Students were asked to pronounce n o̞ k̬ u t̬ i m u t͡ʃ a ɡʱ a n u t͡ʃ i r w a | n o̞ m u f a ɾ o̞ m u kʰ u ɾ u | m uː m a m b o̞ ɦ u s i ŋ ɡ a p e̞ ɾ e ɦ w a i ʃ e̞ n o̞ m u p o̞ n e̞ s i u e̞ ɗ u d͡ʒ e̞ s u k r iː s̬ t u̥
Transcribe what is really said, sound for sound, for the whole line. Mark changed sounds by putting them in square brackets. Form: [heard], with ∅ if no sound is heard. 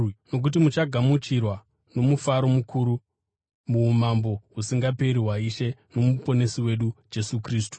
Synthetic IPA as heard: n o̞ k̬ u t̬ i m u t͡ʃ a ɡʱ a [m] u t͡ʃ i r w a | n o̞ m u f a ɾ o̞ m u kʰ u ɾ u | m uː m a m b o̞ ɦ u s i ŋ ɡ a p e̞ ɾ [i] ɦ w a i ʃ e̞ n o̞ m u p o̞ n e̞ s i [w] e̞ ɗ u d͡ʒ e̞ s u k r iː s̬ t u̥